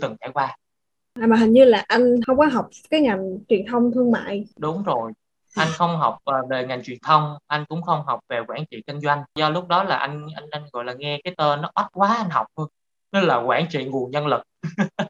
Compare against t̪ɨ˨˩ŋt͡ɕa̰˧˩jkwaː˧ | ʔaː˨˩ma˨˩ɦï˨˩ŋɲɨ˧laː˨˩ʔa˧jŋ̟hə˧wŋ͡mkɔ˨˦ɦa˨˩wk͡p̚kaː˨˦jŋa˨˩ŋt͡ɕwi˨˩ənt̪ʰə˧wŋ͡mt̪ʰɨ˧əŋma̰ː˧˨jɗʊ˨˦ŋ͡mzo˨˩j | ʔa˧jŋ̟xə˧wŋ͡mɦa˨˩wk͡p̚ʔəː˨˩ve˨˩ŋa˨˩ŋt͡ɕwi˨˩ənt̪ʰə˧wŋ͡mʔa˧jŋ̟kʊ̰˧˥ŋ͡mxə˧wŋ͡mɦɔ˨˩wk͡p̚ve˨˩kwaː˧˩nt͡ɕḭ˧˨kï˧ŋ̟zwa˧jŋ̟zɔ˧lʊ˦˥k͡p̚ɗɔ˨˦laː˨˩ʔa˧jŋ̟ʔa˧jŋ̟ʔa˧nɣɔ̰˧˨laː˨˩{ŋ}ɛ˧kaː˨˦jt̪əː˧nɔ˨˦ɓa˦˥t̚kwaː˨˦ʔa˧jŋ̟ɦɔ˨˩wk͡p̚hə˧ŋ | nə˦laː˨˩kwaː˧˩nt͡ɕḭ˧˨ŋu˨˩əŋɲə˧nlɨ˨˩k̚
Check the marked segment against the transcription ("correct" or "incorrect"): correct